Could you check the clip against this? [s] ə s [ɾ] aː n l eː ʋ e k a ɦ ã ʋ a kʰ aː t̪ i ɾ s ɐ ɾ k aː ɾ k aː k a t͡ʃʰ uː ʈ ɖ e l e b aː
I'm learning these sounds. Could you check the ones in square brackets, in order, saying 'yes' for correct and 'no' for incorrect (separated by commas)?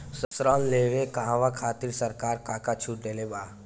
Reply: yes, yes